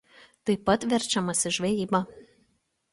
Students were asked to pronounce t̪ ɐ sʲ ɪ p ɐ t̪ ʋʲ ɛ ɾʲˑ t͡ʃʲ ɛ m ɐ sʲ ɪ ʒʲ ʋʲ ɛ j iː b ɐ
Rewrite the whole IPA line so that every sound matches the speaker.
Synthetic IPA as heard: t̪ ɐ ɪ p ɐ t̪ ʋʲ ɛ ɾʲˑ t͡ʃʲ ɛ m ɐ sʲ ɪ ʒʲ ʋʲ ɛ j iː b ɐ